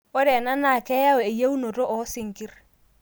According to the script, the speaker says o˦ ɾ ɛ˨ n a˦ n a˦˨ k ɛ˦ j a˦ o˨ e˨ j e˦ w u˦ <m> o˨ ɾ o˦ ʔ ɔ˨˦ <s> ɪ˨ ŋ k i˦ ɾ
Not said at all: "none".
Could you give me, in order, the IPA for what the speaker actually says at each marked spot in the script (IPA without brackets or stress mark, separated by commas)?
n, s